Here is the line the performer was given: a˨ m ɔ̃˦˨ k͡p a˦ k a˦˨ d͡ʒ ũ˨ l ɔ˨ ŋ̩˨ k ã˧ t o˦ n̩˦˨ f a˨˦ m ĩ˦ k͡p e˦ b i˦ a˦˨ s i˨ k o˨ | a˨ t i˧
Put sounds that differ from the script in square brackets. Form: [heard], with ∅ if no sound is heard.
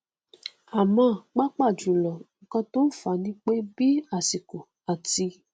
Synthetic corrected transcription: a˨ m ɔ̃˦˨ k͡p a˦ [k͡p] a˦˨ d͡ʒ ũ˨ l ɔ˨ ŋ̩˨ k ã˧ t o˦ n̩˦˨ f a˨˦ [n] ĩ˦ k͡p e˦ b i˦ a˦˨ s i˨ k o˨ | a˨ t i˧